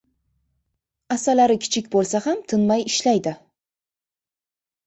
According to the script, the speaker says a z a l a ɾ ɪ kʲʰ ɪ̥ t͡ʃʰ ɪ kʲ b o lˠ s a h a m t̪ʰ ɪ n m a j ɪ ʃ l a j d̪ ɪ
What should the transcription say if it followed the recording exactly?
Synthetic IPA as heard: a s a l a ɾ ɪ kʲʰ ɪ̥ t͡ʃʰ ɪ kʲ b o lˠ s a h a m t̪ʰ ɪ n m a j ɪ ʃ l a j d̪ ɪ